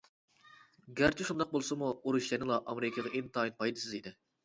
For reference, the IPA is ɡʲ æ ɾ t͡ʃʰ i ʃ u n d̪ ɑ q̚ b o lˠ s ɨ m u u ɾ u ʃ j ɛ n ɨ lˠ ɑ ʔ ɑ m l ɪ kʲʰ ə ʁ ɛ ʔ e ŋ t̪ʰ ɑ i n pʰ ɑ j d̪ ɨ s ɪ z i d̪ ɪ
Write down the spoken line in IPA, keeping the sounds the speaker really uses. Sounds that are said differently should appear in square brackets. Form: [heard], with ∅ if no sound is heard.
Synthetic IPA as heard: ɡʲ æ ɾ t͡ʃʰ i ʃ u n d̪ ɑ q̚ b o lˠ s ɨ m u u ɾ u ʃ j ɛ n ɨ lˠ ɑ ʔ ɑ m [ɾ] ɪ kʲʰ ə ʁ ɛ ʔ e [n] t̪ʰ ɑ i n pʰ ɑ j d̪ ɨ s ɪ z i d̪ ɪ